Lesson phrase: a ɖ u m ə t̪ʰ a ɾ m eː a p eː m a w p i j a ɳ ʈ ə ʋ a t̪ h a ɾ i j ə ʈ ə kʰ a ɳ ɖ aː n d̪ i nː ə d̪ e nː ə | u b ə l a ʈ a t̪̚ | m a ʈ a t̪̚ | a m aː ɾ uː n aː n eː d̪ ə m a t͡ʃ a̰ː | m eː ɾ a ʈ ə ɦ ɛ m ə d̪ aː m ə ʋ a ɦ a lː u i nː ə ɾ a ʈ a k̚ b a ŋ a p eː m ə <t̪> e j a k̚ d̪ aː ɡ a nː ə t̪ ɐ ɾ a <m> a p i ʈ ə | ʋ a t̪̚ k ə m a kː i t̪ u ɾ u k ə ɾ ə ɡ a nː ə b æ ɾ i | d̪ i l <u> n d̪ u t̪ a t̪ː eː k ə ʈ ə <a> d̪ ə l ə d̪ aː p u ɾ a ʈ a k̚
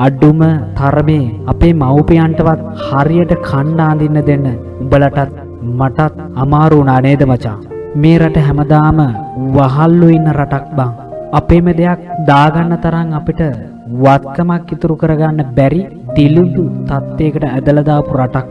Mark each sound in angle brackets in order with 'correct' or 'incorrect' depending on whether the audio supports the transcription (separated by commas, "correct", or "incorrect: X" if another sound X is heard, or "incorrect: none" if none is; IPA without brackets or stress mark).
incorrect: d̪, incorrect: ŋ, correct, incorrect: æ